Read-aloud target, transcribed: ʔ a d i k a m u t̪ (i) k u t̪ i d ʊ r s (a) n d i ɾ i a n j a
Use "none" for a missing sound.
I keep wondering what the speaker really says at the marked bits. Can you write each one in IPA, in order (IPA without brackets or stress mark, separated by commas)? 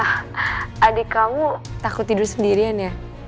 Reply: a, ə